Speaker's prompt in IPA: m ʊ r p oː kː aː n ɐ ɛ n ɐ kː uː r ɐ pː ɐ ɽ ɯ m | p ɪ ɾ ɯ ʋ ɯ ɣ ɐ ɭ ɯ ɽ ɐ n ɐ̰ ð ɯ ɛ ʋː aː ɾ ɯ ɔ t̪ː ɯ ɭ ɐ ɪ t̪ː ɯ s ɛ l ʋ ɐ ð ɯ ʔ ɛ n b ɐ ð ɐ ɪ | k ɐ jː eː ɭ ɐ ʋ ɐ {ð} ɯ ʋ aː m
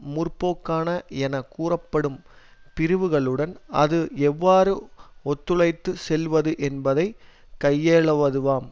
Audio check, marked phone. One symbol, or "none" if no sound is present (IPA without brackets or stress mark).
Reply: ð